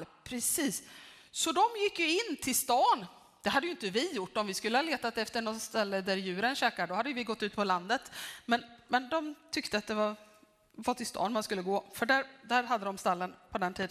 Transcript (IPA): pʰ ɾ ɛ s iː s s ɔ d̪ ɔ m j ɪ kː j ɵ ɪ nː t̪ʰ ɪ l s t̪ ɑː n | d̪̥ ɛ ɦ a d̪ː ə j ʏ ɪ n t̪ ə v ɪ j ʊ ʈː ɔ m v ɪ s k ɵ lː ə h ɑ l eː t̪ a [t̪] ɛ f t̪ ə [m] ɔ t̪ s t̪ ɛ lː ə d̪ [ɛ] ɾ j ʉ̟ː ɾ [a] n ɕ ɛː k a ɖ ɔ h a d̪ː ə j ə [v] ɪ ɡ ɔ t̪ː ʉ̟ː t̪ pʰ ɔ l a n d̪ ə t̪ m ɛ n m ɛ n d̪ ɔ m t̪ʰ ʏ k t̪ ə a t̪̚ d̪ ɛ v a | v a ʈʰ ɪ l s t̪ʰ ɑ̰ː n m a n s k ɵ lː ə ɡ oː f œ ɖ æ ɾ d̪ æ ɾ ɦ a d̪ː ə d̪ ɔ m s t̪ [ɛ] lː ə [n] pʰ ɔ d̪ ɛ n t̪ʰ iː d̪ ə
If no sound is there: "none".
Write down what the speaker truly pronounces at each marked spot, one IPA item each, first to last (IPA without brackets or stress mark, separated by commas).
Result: t̪, ɳ, æ, ə, v, a, n